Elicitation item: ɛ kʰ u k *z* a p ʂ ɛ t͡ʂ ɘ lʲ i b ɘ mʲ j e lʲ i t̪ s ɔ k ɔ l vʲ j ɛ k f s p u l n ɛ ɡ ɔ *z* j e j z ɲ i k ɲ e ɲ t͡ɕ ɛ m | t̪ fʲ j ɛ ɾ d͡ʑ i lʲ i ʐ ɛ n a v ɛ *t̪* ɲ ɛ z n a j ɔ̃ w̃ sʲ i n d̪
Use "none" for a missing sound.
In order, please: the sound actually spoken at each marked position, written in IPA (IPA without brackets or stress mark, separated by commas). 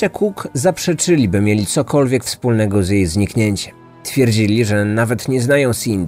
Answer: z, z, t̪